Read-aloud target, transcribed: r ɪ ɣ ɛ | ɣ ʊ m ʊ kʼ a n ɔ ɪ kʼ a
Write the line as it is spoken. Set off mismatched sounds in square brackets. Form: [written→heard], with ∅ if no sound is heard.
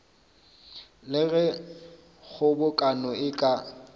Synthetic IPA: [r→l] ɪ ɣ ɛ | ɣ ʊ [m→b] ʊ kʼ a n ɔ ɪ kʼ a